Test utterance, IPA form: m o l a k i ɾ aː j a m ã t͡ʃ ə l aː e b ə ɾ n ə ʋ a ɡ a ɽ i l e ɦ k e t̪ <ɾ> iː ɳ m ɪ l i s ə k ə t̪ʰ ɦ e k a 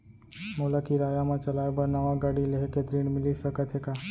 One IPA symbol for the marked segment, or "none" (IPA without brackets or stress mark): ɾ